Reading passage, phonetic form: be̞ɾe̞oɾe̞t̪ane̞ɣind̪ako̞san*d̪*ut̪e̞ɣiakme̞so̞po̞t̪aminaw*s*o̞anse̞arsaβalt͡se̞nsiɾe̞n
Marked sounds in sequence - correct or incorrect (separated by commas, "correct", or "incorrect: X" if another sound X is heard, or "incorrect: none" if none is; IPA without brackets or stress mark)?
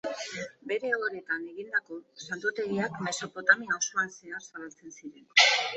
incorrect: t̪, correct